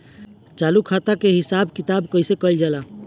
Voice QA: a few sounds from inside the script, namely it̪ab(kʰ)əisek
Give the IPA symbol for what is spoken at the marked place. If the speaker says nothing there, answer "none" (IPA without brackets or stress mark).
k